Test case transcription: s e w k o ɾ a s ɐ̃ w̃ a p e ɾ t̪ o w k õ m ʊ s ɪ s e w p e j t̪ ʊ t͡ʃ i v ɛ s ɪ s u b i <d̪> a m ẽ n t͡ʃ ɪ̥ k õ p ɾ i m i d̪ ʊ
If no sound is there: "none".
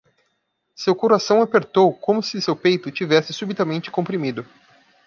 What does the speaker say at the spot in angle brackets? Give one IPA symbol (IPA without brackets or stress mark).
t̪